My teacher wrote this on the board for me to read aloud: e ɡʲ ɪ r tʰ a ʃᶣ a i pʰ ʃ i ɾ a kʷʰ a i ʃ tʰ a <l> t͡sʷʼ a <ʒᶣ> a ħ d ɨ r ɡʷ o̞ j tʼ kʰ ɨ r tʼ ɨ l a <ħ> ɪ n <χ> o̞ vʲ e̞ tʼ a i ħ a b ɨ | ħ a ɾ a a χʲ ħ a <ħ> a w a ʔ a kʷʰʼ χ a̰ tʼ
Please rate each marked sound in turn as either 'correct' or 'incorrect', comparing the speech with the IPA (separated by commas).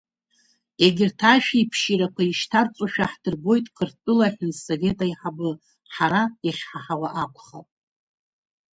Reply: incorrect, incorrect, correct, incorrect, correct